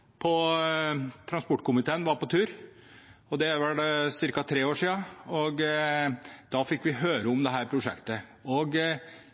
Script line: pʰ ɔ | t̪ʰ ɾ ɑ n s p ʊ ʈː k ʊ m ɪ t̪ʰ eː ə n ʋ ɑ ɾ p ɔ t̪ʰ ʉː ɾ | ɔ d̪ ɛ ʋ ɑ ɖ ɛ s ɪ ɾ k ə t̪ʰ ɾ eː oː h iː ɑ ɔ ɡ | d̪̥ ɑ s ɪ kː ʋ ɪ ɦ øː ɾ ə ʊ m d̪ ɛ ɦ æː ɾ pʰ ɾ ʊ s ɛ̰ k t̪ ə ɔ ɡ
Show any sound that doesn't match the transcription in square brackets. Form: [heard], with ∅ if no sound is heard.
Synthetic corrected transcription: pʰ ɔ | t̪ʰ ɾ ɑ n s p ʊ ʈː k ʊ m ɪ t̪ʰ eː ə n ʋ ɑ ɾ p ɔ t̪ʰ ʉː ɾ | ɔ d̪ ɛ ʋ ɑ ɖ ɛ s ɪ ɾ k [ɑ] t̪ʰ ɾ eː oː [ʂ] iː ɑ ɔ ɡ | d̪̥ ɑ [f] ɪ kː ʋ ɪ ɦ øː ɾ ə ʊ m d̪ ɛ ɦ æː ɾ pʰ ɾ ʊ [ʂ] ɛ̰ k t̪ ə ɔ ɡ